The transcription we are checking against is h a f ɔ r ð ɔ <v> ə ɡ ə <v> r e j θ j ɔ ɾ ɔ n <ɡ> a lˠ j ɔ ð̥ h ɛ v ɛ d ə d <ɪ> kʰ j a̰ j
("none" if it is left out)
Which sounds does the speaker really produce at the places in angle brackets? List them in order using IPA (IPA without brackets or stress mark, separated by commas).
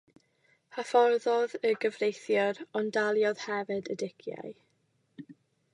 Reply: ð, v, d, ɪ